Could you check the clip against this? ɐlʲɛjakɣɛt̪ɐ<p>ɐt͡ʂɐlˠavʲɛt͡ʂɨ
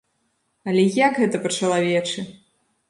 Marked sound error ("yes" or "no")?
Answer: no